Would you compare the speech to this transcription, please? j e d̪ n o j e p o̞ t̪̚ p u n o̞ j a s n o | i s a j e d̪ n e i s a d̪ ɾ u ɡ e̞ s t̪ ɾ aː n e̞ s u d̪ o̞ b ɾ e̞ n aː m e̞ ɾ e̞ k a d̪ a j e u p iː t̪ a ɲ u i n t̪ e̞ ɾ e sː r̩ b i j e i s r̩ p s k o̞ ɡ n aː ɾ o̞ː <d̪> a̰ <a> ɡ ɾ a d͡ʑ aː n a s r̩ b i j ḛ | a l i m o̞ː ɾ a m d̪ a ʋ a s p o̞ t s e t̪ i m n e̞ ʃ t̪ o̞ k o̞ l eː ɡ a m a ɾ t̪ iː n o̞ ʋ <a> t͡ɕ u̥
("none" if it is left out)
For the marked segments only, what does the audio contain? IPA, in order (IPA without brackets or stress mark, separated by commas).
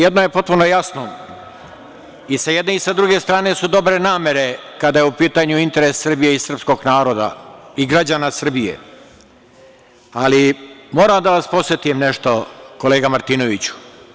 d̪, i, i